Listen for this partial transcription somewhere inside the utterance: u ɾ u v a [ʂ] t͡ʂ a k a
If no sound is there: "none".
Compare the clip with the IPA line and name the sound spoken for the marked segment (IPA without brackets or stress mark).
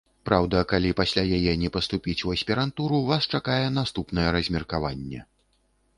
s